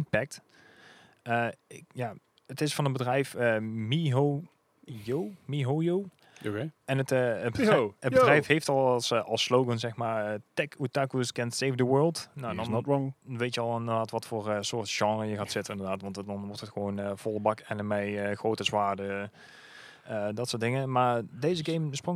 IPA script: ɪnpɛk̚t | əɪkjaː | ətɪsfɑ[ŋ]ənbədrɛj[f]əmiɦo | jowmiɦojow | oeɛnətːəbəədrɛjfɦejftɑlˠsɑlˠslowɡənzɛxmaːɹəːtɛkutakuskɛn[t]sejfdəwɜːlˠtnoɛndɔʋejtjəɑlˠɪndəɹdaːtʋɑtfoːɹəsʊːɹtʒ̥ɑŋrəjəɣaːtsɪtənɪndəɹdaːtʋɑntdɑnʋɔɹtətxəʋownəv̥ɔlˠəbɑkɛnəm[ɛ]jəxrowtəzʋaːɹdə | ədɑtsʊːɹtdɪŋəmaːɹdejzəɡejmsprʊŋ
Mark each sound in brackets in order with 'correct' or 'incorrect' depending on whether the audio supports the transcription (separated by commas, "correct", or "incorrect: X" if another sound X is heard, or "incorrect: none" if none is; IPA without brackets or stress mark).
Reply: incorrect: n, correct, correct, correct